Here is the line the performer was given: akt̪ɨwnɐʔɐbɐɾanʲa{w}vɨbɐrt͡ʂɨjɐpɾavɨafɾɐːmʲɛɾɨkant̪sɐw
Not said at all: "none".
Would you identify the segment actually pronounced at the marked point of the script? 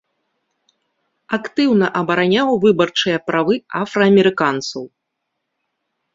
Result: w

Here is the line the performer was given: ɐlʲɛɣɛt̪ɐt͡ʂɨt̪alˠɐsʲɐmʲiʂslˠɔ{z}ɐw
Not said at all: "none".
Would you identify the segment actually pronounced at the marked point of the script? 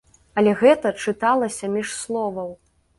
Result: v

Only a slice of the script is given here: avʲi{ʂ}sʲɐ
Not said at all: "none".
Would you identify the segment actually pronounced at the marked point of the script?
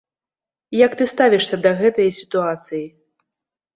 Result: ʂ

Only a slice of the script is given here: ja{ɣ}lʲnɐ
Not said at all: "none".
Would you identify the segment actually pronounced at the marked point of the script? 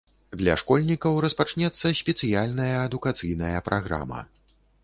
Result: none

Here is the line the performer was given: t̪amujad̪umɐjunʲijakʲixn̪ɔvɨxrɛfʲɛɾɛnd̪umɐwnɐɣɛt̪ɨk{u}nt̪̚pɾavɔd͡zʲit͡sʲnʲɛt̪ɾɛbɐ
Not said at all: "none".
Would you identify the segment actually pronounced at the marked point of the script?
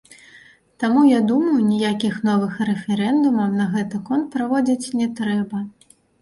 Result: ɔ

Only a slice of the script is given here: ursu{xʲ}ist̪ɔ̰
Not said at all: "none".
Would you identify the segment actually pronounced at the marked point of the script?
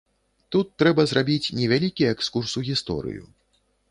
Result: ɣʲ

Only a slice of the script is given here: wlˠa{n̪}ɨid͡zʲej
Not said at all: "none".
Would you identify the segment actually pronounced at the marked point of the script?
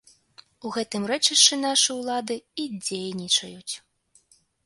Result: d̪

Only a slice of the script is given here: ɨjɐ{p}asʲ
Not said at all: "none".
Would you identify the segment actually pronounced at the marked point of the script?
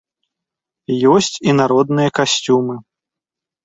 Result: k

